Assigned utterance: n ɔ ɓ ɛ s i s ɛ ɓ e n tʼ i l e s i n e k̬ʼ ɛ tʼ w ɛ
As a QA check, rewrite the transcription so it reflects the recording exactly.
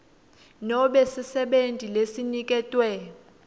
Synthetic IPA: n ɔ ɓ ɛ s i s ɛ ɓ e n tʼ i l e s i n i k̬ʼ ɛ tʼ w ɛ